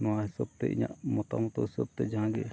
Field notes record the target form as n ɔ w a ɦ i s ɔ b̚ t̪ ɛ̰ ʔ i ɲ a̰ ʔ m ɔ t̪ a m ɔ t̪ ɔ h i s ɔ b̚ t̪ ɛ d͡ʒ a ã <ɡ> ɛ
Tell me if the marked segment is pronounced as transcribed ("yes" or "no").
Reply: yes